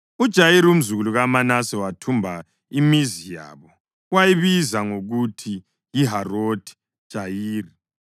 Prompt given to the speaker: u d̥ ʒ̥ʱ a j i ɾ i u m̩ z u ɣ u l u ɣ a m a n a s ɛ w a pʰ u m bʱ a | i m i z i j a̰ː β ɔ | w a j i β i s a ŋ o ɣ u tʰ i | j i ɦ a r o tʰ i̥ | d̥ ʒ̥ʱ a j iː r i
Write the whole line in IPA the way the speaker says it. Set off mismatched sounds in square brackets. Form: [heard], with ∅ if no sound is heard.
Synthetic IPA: u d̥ ʒ̥ʱ a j i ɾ i u m̩ z u ɣ u l u ɣ a m a n a s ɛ w a [tʰ] u m bʱ a | i m i z i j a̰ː β ɔ | w a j i β i [z] a ŋ o ɣ u tʰ i | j i ɦ a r o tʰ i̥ | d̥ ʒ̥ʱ a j iː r i